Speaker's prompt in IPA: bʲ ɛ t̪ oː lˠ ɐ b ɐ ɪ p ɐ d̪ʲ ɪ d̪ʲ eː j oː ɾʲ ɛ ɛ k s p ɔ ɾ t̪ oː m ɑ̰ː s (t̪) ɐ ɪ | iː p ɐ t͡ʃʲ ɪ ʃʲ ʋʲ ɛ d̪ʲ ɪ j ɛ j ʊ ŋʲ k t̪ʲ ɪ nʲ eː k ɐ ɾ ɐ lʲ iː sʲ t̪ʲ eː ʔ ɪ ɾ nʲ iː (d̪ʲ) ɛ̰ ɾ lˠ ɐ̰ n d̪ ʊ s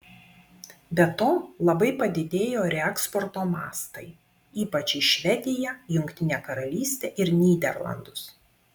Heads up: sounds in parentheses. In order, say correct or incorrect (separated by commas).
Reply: correct, correct